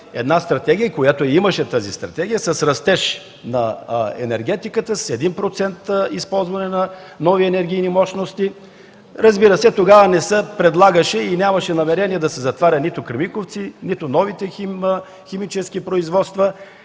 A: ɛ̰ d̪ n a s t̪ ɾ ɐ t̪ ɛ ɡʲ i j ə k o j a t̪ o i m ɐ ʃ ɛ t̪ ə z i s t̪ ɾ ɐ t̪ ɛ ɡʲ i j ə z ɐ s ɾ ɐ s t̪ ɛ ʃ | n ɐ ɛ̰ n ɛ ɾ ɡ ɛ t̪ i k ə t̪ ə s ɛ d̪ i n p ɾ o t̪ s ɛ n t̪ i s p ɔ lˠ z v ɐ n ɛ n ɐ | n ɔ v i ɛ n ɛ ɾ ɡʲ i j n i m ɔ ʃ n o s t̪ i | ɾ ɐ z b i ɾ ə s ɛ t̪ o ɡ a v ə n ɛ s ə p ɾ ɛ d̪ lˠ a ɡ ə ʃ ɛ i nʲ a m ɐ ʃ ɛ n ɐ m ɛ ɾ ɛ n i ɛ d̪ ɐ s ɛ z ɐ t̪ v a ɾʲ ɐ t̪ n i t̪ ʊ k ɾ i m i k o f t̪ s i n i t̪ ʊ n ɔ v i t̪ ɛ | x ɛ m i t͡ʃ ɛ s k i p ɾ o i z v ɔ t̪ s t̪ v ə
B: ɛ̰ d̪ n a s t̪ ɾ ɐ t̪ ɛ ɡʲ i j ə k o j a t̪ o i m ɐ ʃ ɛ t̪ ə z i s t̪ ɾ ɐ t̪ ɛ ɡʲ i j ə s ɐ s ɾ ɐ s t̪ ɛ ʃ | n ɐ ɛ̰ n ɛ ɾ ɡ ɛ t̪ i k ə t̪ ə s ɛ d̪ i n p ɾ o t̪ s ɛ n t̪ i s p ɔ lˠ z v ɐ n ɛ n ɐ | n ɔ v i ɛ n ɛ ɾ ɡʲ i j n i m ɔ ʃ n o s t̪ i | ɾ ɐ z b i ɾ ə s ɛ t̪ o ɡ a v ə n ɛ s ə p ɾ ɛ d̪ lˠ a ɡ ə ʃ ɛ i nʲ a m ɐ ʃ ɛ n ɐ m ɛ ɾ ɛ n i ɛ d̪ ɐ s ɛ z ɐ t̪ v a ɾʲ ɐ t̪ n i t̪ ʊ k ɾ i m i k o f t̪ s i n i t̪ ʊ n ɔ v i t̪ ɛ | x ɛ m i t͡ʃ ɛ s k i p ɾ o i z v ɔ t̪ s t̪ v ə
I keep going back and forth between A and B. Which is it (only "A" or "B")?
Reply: B